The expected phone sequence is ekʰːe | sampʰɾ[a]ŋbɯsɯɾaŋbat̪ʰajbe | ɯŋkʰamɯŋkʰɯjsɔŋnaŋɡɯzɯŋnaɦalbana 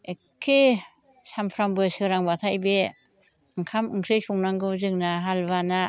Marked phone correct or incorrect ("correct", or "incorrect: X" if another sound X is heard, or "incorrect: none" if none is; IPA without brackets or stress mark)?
correct